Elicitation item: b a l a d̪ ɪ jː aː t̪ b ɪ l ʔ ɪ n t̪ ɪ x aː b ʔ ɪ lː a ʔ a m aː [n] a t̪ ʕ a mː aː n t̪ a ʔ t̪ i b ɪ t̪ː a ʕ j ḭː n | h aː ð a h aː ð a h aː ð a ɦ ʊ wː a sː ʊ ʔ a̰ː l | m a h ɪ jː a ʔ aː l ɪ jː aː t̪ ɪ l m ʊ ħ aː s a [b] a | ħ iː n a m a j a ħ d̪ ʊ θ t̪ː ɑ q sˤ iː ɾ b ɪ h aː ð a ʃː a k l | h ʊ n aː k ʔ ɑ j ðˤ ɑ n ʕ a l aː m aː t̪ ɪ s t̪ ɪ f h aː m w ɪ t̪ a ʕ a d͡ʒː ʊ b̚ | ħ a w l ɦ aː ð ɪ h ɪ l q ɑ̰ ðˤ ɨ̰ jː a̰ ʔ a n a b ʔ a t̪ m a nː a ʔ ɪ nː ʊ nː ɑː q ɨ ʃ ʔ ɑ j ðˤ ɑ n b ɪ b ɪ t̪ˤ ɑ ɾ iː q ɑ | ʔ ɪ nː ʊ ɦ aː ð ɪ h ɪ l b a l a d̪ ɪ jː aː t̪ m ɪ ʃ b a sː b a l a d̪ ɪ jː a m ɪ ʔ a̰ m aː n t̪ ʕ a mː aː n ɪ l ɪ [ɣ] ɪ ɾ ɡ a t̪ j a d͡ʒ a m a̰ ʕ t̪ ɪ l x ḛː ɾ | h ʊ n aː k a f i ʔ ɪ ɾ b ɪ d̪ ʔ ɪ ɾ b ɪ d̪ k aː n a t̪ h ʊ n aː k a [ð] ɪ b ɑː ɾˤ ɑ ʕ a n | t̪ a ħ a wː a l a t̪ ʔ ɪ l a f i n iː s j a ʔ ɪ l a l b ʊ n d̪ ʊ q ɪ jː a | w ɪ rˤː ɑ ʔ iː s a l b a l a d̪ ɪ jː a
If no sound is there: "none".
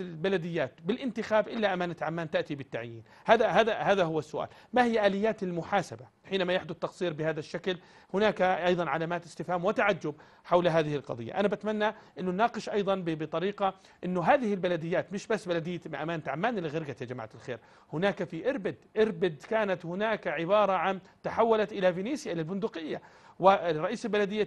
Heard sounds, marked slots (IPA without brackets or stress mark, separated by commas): n, b, ɣ, ʕ